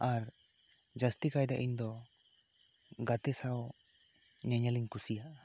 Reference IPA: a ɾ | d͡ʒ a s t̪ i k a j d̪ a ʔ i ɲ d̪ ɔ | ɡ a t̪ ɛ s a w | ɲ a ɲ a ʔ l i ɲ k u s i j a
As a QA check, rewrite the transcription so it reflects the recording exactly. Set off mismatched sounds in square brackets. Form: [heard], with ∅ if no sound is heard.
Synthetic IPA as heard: a ɾ | d͡ʒ a s t̪ i k a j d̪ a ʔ i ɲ d̪ ɔ | ɡ a t̪ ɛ s a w | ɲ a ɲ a [∅] l i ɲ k u s i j a